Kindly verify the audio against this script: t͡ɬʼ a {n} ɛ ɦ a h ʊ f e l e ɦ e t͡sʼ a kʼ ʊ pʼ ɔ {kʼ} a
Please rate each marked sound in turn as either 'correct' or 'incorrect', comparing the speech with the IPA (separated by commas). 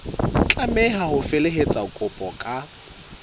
incorrect, correct